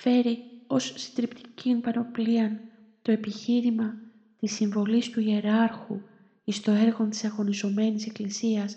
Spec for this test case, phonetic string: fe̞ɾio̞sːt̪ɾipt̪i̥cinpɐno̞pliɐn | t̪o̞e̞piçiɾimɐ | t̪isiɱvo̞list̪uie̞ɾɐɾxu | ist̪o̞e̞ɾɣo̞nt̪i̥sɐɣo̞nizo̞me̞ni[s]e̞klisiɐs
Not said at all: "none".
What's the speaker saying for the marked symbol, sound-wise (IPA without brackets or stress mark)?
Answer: s